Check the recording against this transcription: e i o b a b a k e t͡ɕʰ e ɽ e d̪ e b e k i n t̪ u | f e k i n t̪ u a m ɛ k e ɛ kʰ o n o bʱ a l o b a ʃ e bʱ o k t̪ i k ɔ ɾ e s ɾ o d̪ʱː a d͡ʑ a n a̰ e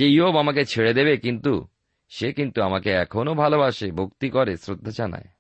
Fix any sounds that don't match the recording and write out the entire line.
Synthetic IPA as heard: e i o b a m a k e t͡ɕʰ e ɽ e d̪ e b e k i n t̪ u | ʃ e k i n t̪ u a m a k e ɛ kʰ o n o bʱ a l o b a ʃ e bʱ o k t̪ i k ɔ ɾ e s ɾ o d̪ʱː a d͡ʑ a n a̰ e